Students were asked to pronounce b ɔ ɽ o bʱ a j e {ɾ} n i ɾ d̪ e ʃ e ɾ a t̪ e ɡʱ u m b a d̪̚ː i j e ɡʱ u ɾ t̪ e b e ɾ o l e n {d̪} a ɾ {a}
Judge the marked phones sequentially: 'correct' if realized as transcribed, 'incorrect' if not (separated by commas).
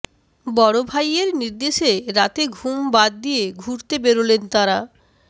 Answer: correct, incorrect, correct